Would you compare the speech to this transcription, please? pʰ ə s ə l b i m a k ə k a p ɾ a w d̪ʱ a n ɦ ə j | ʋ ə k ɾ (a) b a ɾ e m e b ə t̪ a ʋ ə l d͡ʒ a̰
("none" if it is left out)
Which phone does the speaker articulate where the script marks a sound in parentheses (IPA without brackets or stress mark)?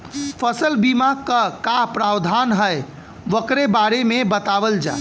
e